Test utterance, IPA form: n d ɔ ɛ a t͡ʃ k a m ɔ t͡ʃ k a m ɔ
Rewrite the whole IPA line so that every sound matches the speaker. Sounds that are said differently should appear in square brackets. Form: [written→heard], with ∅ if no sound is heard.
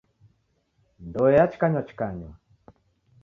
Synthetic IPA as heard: n d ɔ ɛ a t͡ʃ k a [m→ɲ] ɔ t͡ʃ k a [m→ɲ] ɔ